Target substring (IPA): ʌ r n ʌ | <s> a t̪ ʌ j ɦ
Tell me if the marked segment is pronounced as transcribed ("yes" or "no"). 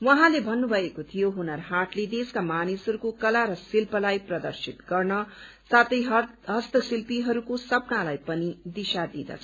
yes